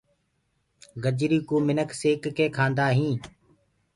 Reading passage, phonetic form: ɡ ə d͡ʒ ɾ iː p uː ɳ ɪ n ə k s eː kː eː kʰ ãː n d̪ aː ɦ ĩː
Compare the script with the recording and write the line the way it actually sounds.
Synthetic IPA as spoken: ɡ ə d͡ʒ ɾ iː k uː m ɪ n ə k s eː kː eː kʰ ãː n d̪ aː ɦ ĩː